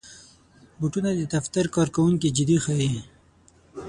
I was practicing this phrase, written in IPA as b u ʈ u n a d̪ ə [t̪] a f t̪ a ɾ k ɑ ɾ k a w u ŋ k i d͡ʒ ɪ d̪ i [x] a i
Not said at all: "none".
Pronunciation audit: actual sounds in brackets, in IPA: d̪, x

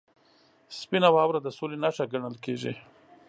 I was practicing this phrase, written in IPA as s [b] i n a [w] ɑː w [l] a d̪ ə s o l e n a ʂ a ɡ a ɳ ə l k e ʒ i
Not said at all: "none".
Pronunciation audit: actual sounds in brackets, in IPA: p, w, ɾ

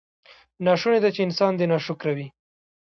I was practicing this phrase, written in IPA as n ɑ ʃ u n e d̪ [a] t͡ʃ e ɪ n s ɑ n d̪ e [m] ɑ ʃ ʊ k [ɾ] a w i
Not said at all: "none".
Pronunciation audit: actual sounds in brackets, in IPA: a, n, ɾ

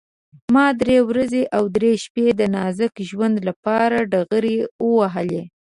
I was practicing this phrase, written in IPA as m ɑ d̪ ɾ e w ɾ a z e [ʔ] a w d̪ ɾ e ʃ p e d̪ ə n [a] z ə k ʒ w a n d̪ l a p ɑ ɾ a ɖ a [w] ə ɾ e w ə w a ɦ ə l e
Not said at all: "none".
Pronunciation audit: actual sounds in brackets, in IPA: ʔ, ɑ, ɣ

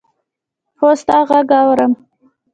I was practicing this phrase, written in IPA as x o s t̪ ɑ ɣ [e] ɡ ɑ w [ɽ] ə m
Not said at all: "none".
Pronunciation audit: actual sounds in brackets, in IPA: a, ɾ

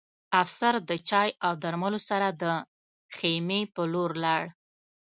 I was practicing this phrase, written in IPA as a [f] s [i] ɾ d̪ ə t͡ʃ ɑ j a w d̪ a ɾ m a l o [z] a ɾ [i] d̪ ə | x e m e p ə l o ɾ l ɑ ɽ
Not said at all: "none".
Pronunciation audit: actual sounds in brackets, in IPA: f, a, s, a

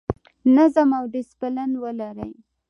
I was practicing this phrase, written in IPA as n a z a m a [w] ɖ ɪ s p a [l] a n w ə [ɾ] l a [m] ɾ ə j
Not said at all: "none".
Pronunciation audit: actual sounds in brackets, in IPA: w, l, none, none

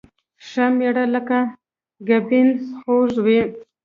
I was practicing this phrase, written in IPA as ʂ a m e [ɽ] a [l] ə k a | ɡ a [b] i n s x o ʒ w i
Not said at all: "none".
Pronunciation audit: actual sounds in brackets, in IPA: ɽ, l, b

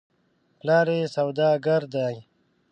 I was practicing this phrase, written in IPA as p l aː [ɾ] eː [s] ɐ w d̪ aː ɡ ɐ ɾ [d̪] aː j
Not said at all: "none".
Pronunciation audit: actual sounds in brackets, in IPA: ɾ, s, d̪

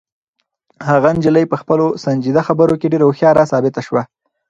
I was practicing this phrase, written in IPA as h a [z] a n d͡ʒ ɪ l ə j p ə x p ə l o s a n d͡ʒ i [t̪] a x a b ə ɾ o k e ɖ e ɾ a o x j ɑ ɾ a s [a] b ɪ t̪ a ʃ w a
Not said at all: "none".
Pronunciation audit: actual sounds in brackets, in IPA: ɣ, d̪, ɑ

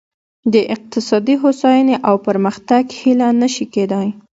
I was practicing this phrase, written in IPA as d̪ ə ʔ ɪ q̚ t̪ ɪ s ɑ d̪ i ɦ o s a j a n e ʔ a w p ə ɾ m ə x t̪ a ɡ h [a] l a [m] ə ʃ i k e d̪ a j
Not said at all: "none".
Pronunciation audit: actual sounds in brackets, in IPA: i, n

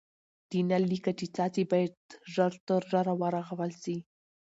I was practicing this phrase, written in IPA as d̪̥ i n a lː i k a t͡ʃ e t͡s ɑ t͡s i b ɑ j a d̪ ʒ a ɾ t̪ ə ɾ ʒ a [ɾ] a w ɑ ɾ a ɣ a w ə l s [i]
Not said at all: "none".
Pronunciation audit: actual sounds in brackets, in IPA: ɾ, i

